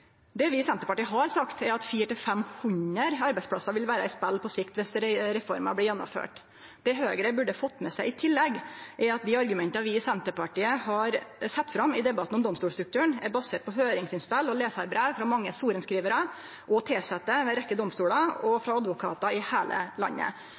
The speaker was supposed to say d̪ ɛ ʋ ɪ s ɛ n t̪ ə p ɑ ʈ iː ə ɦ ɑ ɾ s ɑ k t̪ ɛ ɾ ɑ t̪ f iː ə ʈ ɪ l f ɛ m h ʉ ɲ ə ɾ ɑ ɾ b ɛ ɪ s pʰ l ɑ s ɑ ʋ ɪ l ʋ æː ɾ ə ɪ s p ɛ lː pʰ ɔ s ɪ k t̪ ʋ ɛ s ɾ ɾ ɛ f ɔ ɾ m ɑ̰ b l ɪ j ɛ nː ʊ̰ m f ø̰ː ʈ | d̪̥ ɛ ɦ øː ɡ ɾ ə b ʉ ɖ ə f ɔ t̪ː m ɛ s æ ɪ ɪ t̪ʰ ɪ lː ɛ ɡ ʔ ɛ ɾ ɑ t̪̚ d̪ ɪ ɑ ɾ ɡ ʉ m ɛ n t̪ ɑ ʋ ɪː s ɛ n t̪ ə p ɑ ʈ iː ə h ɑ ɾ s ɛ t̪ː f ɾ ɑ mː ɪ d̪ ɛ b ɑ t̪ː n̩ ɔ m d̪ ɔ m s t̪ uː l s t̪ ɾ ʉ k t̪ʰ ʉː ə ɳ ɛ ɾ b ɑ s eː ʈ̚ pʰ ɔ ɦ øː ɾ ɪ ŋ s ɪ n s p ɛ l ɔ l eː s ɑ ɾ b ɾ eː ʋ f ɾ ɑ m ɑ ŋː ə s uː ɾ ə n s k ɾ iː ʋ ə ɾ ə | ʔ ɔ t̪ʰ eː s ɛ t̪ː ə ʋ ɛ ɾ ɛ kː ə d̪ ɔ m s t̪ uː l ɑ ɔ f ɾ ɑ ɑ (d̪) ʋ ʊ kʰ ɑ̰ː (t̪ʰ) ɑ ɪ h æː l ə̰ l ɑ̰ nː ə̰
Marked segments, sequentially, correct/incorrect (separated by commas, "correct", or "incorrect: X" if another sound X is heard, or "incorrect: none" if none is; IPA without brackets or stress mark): correct, incorrect: t̪